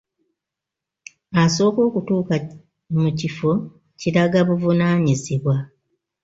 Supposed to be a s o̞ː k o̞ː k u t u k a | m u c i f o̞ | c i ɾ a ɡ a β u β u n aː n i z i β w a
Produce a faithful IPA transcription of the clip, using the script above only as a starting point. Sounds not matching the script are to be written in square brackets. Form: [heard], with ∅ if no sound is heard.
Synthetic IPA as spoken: a s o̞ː k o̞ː k u t [uː] k a | m u c i f o̞ | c i ɾ a ɡ a β u [v] u n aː [ɲ] i z i β w a